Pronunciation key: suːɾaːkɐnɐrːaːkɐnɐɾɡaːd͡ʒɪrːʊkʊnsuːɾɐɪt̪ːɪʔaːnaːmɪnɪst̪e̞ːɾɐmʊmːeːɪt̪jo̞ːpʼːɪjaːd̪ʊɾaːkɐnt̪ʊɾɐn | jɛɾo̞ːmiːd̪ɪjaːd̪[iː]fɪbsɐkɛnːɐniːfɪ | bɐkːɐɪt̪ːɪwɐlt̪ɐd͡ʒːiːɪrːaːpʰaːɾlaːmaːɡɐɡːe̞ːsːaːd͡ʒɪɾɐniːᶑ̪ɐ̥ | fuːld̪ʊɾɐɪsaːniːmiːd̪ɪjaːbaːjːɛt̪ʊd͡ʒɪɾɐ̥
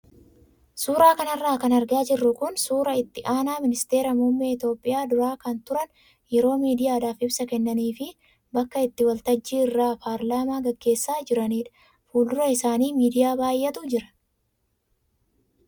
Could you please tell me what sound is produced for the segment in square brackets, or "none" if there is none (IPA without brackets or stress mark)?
aː